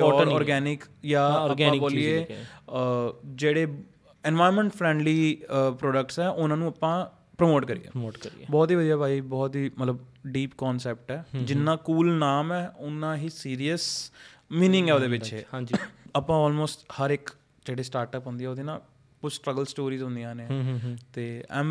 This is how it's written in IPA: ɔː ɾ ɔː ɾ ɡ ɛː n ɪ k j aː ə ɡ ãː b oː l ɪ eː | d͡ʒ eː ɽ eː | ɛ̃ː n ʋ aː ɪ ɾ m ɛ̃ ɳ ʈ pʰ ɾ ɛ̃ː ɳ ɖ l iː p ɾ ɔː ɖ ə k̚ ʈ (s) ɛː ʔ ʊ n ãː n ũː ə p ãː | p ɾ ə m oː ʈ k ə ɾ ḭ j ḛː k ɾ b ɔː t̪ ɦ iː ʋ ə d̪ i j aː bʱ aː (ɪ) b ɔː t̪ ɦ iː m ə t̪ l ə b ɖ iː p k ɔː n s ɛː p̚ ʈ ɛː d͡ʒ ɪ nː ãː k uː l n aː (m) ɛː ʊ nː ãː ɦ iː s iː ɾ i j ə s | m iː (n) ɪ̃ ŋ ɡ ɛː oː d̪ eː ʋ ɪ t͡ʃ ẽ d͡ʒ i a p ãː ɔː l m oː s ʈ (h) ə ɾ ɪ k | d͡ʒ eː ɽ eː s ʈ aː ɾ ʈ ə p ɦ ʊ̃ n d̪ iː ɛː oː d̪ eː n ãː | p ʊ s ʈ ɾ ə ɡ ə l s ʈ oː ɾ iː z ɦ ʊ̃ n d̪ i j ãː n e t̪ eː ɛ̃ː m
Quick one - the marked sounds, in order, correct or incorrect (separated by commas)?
correct, incorrect, correct, correct, correct